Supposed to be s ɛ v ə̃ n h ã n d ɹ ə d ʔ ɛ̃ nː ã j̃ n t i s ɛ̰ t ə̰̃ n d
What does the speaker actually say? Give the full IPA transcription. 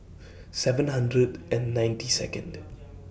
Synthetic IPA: s ɛ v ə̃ n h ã n d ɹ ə d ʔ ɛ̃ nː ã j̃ n t i s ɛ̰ k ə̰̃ n d